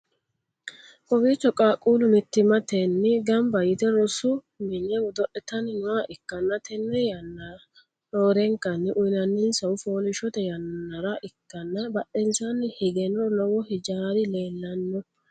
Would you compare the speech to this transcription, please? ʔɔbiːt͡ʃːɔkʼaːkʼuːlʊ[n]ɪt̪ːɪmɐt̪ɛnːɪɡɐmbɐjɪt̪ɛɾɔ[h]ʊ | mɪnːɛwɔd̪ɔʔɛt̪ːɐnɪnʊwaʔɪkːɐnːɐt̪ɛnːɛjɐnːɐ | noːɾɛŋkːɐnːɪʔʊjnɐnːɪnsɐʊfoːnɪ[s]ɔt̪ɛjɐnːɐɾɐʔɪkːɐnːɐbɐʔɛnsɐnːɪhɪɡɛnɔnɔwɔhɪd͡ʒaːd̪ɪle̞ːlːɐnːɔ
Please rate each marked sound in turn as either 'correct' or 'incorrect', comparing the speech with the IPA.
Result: incorrect, incorrect, incorrect

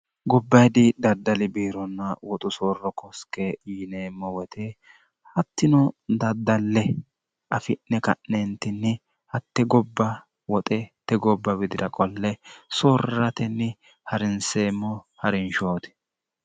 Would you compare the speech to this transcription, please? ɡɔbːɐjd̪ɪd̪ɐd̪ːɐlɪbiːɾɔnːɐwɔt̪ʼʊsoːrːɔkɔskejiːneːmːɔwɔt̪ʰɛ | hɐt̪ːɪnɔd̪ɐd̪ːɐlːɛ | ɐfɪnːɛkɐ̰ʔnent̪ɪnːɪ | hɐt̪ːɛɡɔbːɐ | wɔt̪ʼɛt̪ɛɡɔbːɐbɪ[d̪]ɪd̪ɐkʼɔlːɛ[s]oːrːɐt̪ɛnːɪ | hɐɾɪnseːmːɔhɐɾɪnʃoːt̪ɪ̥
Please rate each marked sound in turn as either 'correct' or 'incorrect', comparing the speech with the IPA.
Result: correct, correct

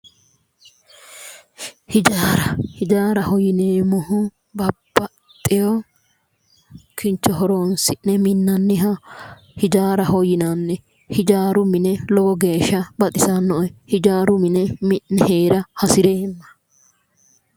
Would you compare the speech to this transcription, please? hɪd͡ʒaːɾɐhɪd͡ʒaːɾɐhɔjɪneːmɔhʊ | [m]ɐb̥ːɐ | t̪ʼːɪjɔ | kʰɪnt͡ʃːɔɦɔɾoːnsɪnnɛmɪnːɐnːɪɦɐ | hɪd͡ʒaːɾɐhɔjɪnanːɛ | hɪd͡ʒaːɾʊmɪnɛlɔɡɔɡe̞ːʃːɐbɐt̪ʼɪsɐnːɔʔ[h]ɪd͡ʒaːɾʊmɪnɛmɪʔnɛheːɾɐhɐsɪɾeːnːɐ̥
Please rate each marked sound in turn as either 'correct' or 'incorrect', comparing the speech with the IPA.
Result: incorrect, correct

